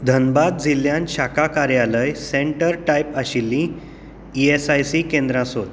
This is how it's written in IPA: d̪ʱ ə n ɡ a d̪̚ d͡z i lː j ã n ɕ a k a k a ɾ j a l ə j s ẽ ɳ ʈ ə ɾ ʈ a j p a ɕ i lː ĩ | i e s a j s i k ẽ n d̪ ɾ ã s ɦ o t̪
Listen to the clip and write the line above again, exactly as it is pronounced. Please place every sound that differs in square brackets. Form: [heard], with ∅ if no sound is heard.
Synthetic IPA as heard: d̪ʱ ə n [b] a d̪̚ d͡z i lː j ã n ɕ a k a k a ɾ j a l ə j s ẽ ɳ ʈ ə ɾ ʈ a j p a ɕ i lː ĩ | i e s a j s i k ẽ n d̪ ɾ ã s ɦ o t̪